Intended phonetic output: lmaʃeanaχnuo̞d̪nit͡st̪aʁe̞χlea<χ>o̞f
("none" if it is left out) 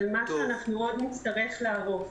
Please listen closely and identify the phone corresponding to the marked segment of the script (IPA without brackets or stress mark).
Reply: ʁ